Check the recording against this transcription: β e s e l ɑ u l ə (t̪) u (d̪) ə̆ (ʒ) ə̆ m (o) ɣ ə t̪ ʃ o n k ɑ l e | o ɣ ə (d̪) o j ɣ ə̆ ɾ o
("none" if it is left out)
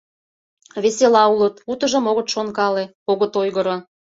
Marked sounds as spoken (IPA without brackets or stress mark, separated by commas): t̪, t̪, ʒ, o, t̪